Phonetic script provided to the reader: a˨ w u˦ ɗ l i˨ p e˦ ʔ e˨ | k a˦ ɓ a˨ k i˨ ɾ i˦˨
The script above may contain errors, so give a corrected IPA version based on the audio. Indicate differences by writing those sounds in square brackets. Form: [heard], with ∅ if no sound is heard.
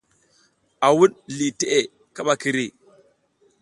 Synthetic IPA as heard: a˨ w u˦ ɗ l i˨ [t] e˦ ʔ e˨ | k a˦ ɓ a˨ k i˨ ɾ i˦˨

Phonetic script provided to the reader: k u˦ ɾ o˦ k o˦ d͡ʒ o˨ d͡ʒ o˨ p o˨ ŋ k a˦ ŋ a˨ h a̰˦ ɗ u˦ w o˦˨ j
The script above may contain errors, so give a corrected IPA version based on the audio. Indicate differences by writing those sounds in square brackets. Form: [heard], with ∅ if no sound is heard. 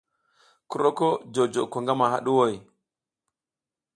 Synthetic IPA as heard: k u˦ ɾ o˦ k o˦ d͡ʒ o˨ d͡ʒ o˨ [k] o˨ ŋ [ɡ] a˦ [m] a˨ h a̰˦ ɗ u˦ w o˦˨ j

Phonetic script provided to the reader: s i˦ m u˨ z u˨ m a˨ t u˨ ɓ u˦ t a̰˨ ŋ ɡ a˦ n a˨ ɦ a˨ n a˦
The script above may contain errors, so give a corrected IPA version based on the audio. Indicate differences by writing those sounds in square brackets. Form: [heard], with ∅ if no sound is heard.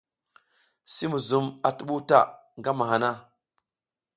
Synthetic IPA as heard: s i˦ m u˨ z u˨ m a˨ t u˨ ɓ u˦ t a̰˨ ŋ ɡ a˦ [m] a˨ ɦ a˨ n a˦

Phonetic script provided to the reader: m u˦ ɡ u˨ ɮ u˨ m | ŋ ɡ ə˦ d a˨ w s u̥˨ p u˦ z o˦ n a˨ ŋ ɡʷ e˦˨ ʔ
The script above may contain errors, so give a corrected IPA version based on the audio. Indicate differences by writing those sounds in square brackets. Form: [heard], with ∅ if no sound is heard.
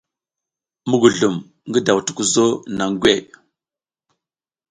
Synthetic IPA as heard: m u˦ ɡ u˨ ɮ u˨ m | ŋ ɡ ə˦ d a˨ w [t] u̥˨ [k] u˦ z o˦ n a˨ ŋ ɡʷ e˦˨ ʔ

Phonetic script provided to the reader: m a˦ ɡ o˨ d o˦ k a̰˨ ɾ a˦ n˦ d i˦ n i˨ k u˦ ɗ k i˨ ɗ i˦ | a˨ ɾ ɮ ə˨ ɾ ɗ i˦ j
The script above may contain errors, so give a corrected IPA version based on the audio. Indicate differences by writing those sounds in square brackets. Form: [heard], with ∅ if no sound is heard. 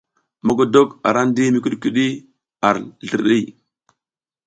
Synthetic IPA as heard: m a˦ ɡ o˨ d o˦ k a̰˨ ɾ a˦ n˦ d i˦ [m] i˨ k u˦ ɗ k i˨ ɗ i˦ | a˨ ɾ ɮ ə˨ ɾ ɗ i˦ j

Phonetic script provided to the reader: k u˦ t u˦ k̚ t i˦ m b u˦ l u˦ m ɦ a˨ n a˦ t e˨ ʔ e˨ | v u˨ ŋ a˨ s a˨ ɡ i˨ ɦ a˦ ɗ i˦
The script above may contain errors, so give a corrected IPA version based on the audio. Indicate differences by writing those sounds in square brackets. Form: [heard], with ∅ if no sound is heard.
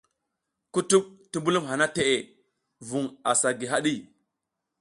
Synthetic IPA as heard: k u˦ t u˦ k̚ t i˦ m b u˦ l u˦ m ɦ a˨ n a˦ t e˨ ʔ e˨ | v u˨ ŋ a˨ s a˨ ɡ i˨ ɦ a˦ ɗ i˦

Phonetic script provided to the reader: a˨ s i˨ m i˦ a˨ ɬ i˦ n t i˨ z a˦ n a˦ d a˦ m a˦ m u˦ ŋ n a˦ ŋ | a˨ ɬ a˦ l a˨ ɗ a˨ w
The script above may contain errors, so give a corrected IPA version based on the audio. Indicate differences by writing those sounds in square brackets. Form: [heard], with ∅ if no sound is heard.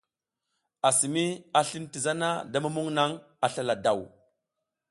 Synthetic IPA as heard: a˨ s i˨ m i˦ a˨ ɬ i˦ n t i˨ z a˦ n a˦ d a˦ m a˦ m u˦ ŋ n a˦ ŋ | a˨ ɬ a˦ l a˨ [d] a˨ w

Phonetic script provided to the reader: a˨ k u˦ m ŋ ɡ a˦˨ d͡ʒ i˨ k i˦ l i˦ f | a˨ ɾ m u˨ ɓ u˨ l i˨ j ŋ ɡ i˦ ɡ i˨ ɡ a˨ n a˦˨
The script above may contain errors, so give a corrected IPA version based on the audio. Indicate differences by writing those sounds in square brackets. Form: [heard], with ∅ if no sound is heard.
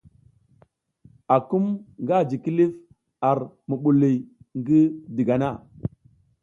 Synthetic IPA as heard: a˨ k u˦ m ŋ ɡ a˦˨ d͡ʒ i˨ k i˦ l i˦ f | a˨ ɾ m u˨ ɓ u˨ l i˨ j ŋ ɡ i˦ [d] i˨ ɡ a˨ n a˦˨

